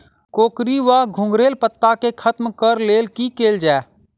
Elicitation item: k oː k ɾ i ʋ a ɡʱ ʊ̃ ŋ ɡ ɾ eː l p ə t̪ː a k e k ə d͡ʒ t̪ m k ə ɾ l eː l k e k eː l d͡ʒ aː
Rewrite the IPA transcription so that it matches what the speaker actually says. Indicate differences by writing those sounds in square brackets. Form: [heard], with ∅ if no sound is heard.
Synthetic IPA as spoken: k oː k ɾ i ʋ a ɡʱ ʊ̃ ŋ ɡ ɾ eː l p ə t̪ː a k e [kʰ] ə [∅] t̪ m k ə ɾ l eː l k [i] k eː l d͡ʒ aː